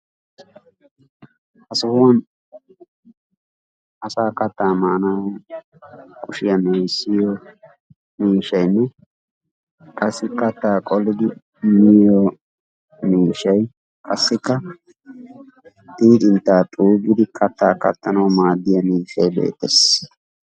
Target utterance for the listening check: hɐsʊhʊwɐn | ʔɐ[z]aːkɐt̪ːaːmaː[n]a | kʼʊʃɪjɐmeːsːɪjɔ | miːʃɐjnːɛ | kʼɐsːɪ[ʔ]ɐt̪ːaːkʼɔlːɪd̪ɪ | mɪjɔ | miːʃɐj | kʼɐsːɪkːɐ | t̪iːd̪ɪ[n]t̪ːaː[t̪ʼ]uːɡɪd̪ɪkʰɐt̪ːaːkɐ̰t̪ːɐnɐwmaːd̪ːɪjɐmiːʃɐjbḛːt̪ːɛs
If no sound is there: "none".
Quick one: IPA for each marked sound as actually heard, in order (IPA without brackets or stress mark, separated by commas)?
s, n, k, n, t̪ʼ